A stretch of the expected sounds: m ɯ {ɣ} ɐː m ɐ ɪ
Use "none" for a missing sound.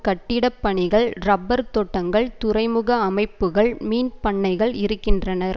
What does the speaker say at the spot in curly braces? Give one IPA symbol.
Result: ɣ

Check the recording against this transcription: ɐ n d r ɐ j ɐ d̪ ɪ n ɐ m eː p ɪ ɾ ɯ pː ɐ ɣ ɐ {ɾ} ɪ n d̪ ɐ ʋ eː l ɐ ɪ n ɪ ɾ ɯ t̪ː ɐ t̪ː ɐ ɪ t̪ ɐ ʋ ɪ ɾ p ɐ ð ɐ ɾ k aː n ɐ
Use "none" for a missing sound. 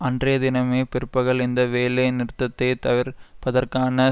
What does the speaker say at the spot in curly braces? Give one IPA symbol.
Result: ɭ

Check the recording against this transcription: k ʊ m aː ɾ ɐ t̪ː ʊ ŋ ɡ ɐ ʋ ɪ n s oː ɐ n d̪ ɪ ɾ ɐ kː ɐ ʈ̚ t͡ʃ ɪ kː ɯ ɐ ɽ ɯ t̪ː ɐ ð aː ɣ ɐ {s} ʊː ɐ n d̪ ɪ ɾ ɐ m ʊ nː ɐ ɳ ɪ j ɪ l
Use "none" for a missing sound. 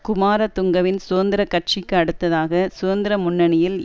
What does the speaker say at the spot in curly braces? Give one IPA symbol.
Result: s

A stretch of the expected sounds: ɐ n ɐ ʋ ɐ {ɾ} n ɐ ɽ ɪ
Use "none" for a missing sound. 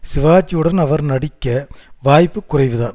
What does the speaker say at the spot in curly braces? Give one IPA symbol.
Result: ɾ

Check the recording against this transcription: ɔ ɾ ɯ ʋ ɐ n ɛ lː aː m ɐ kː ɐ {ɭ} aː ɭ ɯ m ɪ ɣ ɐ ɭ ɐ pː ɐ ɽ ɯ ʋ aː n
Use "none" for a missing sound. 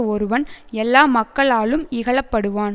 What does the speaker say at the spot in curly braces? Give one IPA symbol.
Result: ɭ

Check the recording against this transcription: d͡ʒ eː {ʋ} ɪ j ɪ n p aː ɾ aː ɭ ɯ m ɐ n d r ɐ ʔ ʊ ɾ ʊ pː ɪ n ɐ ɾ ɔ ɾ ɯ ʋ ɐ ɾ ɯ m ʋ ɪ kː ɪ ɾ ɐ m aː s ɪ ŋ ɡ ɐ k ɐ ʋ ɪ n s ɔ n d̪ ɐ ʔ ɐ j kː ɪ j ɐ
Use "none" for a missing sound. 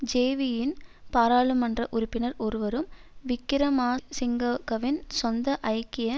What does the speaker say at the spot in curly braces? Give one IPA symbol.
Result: ʋ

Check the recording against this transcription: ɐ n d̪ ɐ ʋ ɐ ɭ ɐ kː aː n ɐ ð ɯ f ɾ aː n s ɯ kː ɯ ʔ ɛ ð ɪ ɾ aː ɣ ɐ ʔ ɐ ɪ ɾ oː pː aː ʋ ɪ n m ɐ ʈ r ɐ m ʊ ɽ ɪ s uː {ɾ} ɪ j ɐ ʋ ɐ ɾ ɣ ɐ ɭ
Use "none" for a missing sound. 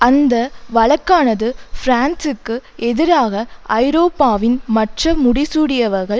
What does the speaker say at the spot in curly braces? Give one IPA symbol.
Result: ɽ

